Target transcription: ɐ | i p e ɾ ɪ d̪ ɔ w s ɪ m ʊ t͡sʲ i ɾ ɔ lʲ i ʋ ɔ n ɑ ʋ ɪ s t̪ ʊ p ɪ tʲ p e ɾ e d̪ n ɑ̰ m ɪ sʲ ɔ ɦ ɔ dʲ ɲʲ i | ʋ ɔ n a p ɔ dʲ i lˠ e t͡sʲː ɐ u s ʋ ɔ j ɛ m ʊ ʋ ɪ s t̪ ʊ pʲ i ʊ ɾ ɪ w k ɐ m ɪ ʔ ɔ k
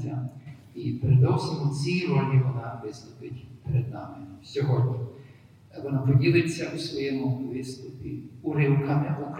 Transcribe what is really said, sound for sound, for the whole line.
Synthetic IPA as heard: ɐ | i p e ɾ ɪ d̪ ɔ w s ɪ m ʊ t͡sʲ i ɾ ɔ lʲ i ʋ ɔ n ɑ ʋ ɪ s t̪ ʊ p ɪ tʲ p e ɾ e d̪ n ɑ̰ m ɪ sʲ ɔ ɦ ɔ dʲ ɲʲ i | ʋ ɔ n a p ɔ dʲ i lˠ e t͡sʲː ɐ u s ʋ ɔ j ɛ m ʊ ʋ ɪ s t̪ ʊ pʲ i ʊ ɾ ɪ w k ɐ m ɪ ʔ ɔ k